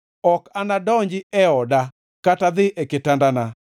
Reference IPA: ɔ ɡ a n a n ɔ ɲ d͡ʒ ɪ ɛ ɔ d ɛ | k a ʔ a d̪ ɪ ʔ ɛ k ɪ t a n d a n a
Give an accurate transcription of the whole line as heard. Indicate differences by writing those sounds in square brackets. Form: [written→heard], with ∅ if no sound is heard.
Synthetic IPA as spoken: ɔ [ɡ→k] a n a [n→d] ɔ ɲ d͡ʒ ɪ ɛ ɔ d [ɛ→a] | k a [ʔ→t] a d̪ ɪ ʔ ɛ k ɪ t a n d a n a